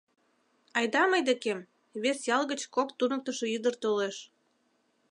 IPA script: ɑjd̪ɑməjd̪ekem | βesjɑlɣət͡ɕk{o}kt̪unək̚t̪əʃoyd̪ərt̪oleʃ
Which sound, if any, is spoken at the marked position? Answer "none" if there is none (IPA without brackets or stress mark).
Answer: o